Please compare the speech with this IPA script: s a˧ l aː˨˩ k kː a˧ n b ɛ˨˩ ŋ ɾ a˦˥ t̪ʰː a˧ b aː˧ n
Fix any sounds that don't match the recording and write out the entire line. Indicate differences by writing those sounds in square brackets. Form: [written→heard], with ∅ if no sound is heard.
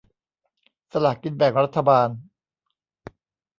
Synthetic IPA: s a˧ l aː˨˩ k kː [a˧→i˧] n b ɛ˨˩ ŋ ɾ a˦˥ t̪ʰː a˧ b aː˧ n